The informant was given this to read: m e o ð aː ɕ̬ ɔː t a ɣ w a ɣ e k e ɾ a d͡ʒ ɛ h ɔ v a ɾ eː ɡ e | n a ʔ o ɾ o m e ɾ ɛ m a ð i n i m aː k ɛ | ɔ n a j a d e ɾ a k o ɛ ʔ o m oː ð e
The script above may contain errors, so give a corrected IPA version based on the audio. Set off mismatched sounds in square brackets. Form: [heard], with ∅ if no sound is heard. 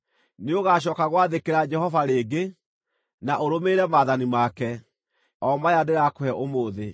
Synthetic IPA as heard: [n] e o [ɣ] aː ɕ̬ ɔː [k] a ɣ w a [ð] e k e ɾ a d͡ʒ ɛ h ɔ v a ɾ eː ɡ e | n a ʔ o ɾ o m e ɾ ɛ m a ð [a] n i m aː k ɛ | ɔ [m] a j a d e ɾ a k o ɛ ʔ o m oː ð e